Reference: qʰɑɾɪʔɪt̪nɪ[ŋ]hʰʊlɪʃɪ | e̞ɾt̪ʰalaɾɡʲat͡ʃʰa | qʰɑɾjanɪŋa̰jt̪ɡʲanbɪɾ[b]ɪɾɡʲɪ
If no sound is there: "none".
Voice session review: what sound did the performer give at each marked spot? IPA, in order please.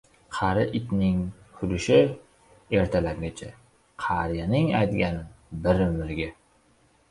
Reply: ŋ, m

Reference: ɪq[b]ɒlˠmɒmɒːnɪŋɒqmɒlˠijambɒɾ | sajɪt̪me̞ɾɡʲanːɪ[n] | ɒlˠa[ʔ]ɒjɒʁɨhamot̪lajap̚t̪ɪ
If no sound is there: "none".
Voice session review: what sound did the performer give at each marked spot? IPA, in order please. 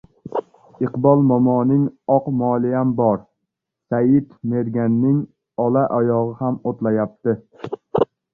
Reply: b, ŋ, ʔ

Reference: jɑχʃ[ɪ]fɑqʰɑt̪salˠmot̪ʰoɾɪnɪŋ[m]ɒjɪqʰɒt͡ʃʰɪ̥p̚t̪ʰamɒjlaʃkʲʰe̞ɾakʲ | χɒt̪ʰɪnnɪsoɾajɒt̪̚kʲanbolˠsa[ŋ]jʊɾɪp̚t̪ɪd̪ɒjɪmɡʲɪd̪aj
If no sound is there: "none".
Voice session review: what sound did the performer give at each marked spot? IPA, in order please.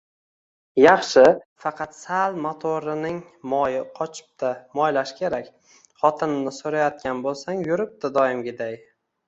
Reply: ɪ, m, ŋ

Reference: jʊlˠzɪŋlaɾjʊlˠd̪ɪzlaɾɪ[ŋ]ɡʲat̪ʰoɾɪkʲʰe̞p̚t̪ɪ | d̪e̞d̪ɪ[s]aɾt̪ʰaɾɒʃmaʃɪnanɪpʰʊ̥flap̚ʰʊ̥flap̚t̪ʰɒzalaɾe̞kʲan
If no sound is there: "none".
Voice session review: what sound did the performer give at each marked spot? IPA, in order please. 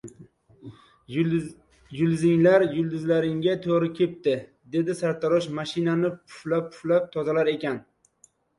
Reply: ŋ, s

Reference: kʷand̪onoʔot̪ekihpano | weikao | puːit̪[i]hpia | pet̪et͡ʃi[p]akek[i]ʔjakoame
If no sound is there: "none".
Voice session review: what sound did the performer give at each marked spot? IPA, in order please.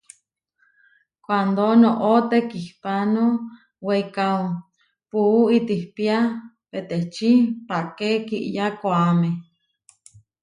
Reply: i, p, i

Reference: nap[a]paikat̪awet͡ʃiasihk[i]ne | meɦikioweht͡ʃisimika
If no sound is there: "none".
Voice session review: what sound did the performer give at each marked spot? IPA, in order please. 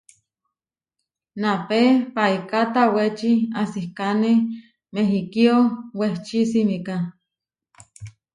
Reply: e, a

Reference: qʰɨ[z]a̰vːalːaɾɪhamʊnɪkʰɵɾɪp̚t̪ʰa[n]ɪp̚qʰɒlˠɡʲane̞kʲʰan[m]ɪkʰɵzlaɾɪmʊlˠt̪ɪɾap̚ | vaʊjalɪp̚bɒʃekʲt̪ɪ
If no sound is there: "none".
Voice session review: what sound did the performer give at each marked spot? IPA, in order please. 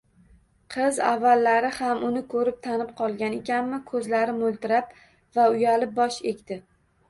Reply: z, n, m

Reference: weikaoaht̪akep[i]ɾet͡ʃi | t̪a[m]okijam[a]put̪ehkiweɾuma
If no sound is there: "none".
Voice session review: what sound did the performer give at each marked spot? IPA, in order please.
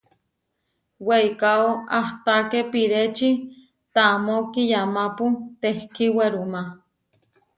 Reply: i, m, a

